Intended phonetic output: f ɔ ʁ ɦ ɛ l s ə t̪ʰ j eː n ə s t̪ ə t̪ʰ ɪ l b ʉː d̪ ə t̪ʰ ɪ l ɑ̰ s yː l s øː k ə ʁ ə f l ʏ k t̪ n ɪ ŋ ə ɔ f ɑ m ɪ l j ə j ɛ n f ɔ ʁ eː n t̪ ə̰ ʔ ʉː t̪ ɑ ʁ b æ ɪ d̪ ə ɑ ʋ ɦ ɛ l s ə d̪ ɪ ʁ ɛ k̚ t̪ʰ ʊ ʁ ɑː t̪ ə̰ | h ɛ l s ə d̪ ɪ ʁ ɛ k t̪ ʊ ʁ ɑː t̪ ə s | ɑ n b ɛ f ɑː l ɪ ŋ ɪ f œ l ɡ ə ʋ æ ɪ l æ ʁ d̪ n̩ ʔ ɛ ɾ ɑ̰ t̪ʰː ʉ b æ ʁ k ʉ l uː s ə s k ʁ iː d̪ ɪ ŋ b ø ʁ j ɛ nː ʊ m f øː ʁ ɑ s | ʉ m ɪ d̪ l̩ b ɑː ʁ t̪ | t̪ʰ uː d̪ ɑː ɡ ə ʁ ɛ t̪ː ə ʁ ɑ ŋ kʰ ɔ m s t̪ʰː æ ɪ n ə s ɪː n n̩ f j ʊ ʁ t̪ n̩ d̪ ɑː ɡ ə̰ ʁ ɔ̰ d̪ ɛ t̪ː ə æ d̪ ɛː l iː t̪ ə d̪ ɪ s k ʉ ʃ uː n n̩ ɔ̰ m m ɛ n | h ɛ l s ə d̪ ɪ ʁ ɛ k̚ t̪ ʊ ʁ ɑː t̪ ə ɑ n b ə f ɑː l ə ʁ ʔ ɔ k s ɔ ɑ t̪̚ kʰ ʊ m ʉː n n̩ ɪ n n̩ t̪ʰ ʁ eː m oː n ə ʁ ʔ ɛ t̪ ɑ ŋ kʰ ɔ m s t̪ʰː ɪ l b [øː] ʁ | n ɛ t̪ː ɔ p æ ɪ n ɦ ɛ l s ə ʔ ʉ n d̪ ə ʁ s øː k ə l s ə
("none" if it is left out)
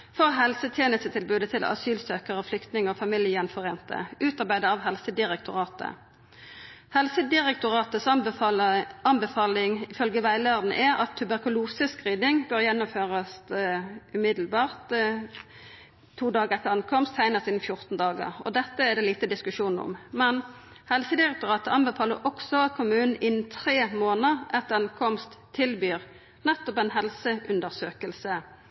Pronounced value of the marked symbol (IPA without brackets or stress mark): yː